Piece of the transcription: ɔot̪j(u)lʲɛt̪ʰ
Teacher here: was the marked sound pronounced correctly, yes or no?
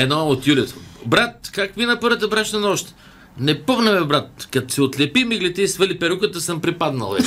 yes